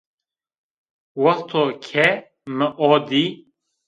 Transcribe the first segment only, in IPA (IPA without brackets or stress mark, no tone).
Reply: w